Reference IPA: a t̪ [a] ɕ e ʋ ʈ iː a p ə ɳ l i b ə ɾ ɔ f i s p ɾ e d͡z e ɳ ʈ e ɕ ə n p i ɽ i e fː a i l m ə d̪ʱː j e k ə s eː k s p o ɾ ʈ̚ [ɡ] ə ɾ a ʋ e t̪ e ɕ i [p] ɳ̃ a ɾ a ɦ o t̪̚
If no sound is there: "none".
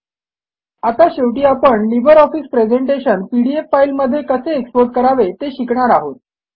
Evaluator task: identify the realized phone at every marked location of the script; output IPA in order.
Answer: a, k, k

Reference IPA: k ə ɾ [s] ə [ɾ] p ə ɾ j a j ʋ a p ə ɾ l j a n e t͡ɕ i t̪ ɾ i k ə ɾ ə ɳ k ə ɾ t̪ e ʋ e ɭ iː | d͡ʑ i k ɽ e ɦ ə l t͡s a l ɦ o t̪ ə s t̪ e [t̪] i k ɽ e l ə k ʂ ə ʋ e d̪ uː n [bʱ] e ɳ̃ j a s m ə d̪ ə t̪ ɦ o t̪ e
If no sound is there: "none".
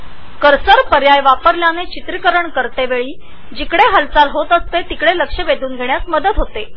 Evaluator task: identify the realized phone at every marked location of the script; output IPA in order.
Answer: s, ɾ, t̪, ɡʱ

